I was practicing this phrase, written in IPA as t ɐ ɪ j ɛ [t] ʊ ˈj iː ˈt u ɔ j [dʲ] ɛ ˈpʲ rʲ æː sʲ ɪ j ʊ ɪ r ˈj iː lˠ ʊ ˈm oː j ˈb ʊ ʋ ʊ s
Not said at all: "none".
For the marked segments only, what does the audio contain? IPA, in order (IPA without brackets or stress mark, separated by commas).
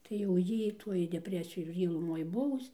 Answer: none, dʲ